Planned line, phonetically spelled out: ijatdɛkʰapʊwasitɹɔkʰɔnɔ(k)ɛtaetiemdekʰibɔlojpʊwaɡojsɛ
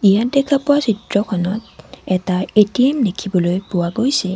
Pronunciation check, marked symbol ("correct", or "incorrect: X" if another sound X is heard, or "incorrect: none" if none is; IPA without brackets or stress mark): incorrect: t